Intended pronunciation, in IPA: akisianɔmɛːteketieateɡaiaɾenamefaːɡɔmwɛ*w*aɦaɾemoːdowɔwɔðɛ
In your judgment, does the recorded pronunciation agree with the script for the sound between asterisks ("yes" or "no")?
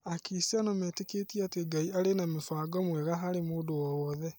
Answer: no